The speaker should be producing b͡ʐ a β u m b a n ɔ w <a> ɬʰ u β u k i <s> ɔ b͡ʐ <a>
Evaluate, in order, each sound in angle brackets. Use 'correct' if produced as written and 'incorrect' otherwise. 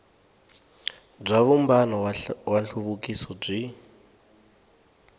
correct, correct, incorrect

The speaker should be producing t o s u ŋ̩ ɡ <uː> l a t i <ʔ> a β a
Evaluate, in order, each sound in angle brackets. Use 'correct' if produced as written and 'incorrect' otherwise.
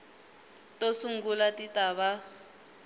incorrect, incorrect

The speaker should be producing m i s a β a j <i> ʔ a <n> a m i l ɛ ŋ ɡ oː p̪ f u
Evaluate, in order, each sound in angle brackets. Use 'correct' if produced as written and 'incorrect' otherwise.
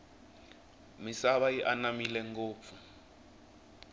correct, correct

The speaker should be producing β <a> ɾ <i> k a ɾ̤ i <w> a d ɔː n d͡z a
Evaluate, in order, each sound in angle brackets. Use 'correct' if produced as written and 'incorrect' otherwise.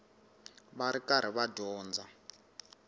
correct, correct, incorrect

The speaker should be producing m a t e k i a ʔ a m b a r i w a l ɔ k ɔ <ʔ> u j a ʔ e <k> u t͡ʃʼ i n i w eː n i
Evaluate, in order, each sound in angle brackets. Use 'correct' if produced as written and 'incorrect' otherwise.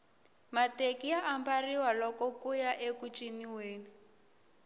incorrect, correct

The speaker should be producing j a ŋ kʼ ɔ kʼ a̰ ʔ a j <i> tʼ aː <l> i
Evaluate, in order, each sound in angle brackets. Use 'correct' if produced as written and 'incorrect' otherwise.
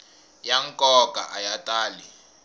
incorrect, correct

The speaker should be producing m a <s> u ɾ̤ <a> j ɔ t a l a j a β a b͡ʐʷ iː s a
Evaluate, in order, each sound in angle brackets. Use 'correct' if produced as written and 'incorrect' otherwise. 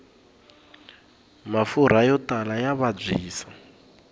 incorrect, correct

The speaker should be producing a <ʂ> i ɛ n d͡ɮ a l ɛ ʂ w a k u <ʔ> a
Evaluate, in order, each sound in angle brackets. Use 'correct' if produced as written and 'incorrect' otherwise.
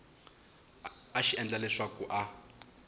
incorrect, correct

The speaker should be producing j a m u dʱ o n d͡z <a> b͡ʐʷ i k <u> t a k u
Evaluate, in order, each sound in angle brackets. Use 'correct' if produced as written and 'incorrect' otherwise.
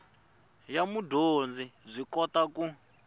incorrect, incorrect

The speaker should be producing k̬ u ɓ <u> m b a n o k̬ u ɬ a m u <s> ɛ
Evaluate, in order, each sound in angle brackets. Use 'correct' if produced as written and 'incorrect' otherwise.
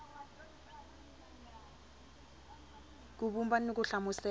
correct, correct

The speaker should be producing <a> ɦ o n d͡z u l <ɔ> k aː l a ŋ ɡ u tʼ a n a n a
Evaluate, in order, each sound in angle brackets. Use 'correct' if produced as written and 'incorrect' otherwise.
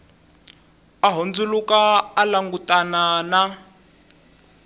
correct, incorrect

